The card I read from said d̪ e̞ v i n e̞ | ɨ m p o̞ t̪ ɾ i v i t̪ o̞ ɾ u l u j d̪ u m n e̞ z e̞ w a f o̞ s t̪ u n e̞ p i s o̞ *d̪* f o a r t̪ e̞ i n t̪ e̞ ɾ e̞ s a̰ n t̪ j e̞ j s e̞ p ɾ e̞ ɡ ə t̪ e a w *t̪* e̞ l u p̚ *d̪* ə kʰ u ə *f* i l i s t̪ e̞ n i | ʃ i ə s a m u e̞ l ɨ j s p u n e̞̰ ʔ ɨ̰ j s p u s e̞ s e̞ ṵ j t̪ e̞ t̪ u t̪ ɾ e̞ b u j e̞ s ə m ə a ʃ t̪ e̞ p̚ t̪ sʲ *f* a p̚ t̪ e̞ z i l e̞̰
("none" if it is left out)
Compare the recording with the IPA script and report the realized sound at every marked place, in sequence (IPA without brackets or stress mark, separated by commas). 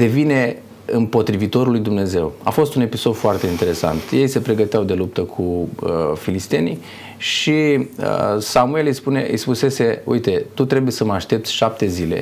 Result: d̪, d̪, t̪, f, ʃ